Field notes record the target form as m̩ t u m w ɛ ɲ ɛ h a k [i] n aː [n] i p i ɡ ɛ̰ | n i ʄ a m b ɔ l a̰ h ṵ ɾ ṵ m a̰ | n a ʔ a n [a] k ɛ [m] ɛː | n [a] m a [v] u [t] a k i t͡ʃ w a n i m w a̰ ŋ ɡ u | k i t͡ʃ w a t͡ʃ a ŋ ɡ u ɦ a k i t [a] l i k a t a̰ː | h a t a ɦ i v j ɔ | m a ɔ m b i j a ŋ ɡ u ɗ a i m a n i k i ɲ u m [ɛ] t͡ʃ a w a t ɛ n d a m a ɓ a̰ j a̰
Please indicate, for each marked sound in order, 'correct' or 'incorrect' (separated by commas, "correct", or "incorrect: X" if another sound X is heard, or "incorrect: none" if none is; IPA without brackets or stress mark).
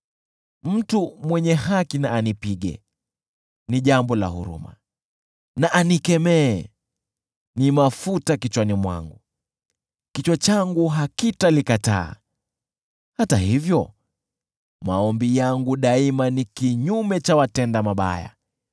correct, correct, incorrect: i, correct, incorrect: i, incorrect: f, correct, correct, correct